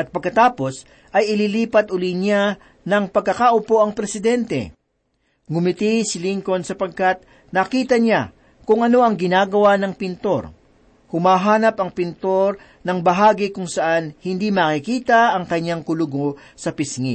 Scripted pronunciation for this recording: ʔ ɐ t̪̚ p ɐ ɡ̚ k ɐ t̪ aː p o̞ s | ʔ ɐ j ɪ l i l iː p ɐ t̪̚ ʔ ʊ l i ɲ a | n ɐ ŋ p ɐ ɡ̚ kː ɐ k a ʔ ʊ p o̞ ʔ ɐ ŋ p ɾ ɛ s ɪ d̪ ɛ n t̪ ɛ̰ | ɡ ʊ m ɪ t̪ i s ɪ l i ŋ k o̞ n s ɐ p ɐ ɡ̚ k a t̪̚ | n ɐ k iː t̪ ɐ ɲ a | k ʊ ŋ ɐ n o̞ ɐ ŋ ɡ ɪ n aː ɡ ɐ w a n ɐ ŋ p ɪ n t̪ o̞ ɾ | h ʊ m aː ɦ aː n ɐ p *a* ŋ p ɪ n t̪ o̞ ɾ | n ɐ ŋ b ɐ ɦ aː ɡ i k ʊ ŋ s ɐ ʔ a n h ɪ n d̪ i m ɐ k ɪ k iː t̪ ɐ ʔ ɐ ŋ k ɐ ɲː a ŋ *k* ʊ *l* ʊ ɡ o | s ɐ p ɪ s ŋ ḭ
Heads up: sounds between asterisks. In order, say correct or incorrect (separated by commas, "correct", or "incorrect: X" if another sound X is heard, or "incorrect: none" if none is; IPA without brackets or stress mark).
incorrect: ɐ, correct, correct